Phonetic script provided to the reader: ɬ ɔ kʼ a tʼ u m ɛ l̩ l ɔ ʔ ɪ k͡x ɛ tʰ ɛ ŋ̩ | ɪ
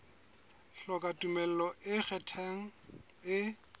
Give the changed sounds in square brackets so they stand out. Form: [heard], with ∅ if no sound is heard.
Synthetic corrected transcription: ɬ ɔ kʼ a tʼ u m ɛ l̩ l ɔ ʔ ɪ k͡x ɛ tʰ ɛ ŋ̩ | ɪ

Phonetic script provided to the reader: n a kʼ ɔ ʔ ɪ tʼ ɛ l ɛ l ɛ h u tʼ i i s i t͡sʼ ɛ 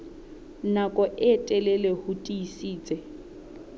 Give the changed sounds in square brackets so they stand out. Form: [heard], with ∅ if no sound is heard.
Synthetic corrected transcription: n a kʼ ɔ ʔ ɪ tʼ ɛ l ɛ l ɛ h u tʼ i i s [iː] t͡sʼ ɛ

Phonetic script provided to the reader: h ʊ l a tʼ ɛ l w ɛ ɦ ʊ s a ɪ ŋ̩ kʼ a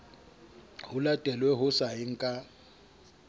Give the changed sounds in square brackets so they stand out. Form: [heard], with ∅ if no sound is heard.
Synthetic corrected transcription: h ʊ l a tʼ ɛ l w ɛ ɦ ʊ s a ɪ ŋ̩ kʼ a

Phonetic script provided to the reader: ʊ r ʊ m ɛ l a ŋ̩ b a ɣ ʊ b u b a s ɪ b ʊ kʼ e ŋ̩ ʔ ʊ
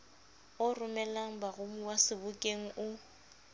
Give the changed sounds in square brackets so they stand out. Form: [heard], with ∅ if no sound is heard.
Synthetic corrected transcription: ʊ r ʊ m ɛ l a ŋ̩ b a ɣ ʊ [m] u [w] a s ɪ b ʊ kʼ e ŋ̩ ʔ ʊ

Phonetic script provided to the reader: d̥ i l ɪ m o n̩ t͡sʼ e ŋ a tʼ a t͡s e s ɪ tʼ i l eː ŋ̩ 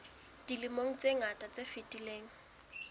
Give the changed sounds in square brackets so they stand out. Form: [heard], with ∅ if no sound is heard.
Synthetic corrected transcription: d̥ i l ɪ m o [ŋ̩] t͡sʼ e ŋ a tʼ a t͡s e [f] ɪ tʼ i l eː ŋ̩

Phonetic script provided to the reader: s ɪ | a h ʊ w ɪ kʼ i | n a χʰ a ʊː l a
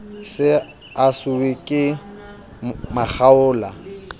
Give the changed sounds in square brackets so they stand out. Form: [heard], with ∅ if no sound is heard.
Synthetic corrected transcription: s ɪ | a [s] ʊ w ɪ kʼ [ɪ] | [m] a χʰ a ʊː l a

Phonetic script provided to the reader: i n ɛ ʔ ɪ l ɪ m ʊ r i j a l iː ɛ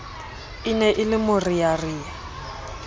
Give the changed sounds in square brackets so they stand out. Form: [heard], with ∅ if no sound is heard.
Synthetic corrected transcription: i n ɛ ʔ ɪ l ɪ m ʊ r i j a [r] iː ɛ

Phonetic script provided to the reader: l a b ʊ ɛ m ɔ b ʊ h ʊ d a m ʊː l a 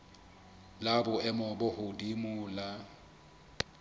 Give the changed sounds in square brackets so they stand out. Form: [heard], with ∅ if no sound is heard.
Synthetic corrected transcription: l a b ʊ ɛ m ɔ b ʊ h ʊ d [i] m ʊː l a

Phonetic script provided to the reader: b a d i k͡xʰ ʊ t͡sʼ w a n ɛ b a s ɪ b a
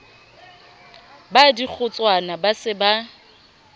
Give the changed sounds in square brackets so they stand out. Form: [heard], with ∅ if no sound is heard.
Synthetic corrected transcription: b a d i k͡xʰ ʊ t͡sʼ w a n [a] b a s ɪ b a

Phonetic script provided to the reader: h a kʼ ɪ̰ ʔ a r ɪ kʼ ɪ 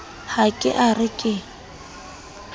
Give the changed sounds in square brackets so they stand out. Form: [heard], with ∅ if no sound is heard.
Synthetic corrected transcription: h a kʼ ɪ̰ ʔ a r ɪ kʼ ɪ

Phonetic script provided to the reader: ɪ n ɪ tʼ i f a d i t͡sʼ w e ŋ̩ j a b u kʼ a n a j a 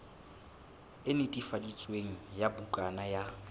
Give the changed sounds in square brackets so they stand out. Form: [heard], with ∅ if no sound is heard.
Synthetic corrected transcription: ɪ n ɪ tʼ i f a d i t͡sʼ w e ŋ̩ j a b u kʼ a n a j a

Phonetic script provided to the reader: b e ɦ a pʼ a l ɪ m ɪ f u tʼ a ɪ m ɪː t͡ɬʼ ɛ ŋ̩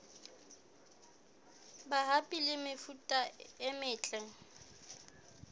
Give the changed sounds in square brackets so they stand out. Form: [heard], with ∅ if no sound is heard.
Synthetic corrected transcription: b [a] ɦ a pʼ [i] l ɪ m ɪ f u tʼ a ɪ m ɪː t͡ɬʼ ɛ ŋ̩

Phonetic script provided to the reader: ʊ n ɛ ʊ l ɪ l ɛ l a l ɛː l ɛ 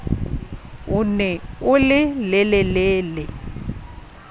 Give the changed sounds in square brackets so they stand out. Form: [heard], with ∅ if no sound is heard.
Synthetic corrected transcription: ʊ n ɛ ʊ l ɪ l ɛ l [ɛ] l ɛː l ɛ

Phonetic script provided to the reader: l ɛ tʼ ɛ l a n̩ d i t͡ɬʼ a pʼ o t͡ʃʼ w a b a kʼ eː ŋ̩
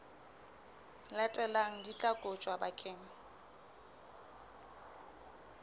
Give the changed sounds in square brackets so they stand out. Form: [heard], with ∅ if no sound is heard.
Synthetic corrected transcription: l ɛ tʼ ɛ l a [ŋ̩] d i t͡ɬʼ a [kʼ] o t͡ʃʼ w a b a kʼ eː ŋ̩

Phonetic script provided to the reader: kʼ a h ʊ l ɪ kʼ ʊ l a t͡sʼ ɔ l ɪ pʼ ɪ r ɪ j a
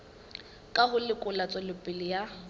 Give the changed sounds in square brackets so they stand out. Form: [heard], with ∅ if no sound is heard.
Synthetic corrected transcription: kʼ a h ʊ l ɪ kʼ ʊ l a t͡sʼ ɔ l ɪ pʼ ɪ [l] ɪ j a

